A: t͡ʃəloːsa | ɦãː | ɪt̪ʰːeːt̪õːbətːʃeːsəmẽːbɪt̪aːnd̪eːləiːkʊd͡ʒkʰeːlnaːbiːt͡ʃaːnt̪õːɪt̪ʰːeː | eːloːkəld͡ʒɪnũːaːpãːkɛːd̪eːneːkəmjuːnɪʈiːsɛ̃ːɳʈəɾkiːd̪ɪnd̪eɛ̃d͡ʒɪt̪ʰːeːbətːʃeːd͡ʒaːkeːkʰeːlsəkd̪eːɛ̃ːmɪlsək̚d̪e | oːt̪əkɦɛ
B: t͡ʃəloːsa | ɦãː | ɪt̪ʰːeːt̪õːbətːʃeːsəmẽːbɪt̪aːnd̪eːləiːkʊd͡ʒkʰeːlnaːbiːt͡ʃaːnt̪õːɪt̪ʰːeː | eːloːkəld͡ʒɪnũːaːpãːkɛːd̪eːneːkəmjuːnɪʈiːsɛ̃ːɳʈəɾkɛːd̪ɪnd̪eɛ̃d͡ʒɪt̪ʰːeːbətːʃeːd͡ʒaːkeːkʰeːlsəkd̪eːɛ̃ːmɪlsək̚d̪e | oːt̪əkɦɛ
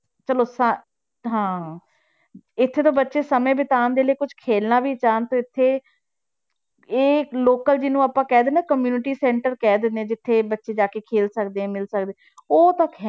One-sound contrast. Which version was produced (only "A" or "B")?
B